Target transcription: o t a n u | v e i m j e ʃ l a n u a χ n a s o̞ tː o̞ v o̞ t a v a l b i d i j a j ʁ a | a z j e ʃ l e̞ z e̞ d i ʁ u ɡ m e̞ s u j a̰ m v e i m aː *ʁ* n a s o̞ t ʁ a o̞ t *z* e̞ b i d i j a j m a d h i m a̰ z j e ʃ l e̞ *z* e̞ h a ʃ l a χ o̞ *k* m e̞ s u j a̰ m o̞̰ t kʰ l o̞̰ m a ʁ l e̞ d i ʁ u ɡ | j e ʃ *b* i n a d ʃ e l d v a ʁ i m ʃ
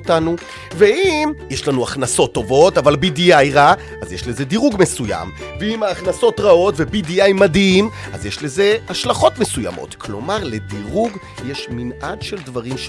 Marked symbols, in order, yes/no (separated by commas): no, no, yes, no, no